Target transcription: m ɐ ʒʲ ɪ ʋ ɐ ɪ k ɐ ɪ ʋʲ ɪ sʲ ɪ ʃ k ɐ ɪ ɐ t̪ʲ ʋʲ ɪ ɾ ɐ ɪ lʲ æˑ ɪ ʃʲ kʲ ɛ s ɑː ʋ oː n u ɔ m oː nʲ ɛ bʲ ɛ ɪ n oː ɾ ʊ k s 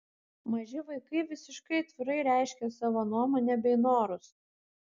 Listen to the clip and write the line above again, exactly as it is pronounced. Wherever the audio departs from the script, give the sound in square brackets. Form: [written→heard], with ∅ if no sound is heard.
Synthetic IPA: m ɐ ʒʲ ɪ ʋ ɐ ɪ k ɐ ɪ ʋʲ ɪ sʲ ɪ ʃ k ɐ ɪ ɐ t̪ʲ ʋʲ ɪ ɾ ɐ ɪ [lʲ→ɾʲ] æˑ ɪ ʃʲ kʲ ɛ s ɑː ʋ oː n u ɔ m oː nʲ ɛ bʲ ɛ ɪ n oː ɾ ʊ [k→∅] s